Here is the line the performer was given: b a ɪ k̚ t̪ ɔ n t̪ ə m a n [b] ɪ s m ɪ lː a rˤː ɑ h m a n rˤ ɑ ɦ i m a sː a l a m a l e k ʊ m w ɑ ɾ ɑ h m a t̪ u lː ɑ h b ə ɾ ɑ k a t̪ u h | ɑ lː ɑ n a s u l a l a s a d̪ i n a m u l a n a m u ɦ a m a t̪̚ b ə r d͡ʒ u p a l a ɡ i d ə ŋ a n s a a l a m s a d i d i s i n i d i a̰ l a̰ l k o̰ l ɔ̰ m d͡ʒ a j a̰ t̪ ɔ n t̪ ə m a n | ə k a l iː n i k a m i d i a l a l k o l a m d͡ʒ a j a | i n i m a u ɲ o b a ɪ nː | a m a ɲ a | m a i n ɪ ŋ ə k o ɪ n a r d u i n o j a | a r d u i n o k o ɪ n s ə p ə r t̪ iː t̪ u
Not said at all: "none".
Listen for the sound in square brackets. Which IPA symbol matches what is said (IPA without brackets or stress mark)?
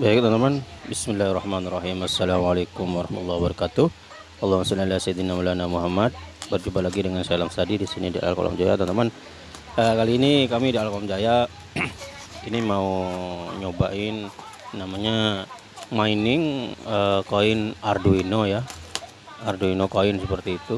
b